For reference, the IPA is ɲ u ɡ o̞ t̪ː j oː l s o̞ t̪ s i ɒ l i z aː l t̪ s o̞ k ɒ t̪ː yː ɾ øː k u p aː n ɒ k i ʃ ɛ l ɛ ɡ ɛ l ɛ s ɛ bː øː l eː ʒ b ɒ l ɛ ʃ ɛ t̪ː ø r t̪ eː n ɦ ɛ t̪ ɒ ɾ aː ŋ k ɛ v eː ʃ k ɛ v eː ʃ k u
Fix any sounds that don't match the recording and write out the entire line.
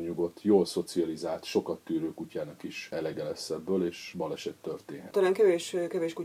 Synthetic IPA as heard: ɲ u ɡ o̞ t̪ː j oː l s o̞ t̪ s i ɒ l i z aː l t̪ ʃ o̞ k ɒ t̪ː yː ɾ øː k u c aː n ɒ k i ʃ ɛ l ɛ ɡ ɛ l ɛ s ɛ bː øː l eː ʃ b ɒ l ɛ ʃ ɛ t̪ː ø r t̪ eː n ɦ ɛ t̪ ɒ l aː ŋ k ɛ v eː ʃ k ɛ v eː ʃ k u